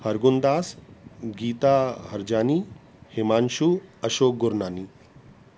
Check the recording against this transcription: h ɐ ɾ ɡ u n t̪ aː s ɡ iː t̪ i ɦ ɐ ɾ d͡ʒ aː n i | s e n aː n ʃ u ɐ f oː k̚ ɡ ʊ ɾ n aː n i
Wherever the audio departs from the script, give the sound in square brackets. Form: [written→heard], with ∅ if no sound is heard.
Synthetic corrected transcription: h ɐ ɾ ɡ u n [t̪→d̪] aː s ɡ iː t̪ [i→a] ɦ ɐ ɾ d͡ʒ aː n i | [s→h] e [n→m] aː n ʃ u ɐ [f→ʃ] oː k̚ ɡ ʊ ɾ n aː n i